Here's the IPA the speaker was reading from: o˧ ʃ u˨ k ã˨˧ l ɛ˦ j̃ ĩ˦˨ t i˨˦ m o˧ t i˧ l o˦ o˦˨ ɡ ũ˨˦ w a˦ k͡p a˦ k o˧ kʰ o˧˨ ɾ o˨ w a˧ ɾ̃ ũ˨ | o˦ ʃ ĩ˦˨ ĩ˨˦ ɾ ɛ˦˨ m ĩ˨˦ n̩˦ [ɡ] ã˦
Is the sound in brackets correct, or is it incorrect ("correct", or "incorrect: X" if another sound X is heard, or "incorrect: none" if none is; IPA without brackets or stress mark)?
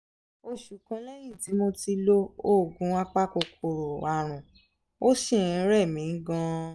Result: correct